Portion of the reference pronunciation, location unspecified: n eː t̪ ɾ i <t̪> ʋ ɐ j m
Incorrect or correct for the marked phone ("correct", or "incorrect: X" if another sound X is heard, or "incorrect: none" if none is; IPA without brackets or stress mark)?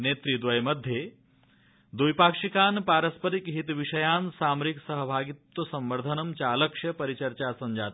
incorrect: d̪